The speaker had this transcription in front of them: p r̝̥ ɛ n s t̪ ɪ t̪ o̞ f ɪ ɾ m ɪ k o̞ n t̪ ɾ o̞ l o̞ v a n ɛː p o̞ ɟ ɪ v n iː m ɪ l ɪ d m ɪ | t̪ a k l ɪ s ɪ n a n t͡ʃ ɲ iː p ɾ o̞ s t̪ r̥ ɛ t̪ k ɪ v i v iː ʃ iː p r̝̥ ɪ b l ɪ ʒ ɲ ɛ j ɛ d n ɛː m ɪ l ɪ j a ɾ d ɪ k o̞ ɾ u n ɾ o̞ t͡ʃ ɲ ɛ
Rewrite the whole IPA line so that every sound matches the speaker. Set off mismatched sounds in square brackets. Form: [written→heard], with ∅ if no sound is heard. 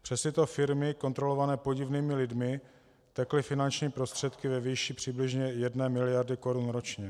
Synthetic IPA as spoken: p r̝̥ ɛ [n→∅] s t̪ ɪ t̪ o̞ f ɪ ɾ m ɪ k o̞ n t̪ ɾ o̞ l o̞ v a n ɛː p o̞ ɟ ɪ v n iː m ɪ l ɪ d m ɪ | t̪ [a→ɛ] k l ɪ [s→f] ɪ n a n t͡ʃ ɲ iː p ɾ o̞ s t̪ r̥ ɛ t̪ k ɪ v [i→ɛ] v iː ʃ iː p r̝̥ ɪ b l ɪ ʒ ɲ ɛ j ɛ d n ɛː m ɪ l ɪ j a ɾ d ɪ k o̞ ɾ u n ɾ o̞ t͡ʃ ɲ ɛ

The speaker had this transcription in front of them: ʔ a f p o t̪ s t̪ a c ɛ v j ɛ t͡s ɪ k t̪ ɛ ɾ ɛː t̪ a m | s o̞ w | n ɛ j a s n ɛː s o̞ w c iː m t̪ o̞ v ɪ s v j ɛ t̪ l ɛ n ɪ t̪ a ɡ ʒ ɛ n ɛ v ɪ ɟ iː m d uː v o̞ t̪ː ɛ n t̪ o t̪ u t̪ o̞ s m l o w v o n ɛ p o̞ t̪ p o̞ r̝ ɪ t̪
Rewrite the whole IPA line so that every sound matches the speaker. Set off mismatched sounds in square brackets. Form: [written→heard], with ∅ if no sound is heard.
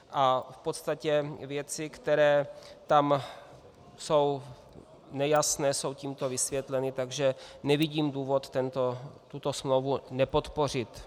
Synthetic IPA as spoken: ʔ a f p o t̪ s t̪ a c ɛ v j ɛ t͡s ɪ k t̪ ɛ ɾ ɛː t̪ a m | s o̞ w | n ɛ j a s n ɛː s o̞ w c iː m t̪ o̞ v ɪ s v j ɛ t̪ l ɛ n ɪ t̪ a ɡ ʒ ɛ n ɛ v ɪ ɟ iː m d uː v o̞ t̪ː ɛ n t̪ o t̪ u t̪ o̞ s m l o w v [o→u] n ɛ p o̞ t̪ p o̞ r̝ ɪ t̪

